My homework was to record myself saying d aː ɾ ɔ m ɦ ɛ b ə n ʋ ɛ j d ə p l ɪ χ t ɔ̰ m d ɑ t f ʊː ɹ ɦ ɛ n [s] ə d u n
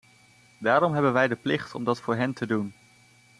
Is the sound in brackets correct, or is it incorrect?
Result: incorrect